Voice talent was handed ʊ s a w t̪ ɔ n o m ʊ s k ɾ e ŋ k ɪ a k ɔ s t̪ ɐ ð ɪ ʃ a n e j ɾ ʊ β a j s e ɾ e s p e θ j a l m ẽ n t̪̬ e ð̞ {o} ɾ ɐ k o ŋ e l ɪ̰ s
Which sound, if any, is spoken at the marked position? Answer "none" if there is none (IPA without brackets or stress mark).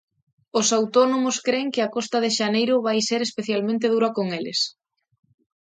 u